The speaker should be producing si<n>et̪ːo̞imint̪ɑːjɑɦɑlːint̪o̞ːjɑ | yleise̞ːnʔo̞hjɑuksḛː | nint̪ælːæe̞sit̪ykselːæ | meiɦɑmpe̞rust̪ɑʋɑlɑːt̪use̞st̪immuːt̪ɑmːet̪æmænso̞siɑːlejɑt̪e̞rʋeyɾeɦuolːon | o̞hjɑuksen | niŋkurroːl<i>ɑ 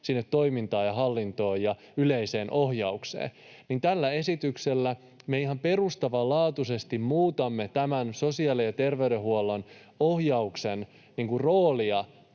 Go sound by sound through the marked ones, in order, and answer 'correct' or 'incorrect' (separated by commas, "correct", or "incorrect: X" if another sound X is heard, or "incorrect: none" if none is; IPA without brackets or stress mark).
incorrect: nː, correct